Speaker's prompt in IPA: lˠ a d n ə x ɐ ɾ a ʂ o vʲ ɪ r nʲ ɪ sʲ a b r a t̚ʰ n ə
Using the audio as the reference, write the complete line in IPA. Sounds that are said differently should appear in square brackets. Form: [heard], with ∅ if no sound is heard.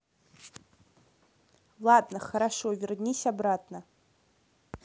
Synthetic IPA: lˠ a d n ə [χ] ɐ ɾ a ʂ o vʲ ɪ r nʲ [i] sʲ a b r a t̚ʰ n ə

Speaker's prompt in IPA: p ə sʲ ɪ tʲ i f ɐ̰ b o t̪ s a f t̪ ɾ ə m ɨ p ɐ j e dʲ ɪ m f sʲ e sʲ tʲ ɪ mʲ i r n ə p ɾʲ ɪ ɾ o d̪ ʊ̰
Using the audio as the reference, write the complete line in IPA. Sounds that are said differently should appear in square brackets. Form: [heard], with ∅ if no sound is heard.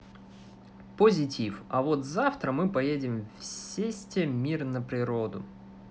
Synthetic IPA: p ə [zʲ] ɪ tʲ i f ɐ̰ [v] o t̪ [z] a f t̪ ɾ ə m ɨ p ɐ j e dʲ ɪ m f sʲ e sʲ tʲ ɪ mʲ i r n ə p ɾʲ ɪ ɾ o d̪ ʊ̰

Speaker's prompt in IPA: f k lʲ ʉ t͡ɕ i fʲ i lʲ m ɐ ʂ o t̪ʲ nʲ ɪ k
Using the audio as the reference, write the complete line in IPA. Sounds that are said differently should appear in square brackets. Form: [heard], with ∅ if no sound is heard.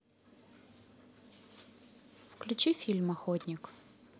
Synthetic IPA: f k lʲ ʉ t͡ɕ i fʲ i lʲ m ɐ [x] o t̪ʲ nʲ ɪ k

